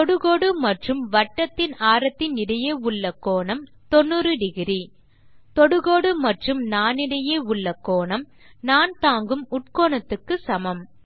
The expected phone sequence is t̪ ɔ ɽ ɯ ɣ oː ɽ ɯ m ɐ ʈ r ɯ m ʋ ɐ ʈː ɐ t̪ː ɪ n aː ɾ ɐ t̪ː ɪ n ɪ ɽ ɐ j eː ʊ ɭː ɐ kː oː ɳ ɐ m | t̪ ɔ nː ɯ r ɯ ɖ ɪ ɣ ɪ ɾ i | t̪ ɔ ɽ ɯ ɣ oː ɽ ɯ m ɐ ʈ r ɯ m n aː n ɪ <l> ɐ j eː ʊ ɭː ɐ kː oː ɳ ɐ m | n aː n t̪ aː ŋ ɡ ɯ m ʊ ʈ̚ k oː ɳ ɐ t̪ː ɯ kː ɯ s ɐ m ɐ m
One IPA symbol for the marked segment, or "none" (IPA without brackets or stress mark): ɽ